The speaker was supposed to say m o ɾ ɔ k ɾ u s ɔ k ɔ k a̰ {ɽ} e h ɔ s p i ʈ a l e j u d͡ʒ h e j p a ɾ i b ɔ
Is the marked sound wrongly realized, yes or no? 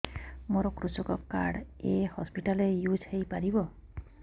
no